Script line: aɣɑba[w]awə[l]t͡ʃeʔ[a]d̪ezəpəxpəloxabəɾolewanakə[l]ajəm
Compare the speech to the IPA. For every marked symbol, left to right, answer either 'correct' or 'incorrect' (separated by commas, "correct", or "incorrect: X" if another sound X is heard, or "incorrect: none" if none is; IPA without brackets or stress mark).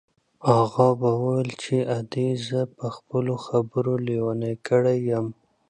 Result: correct, correct, correct, incorrect: ɽ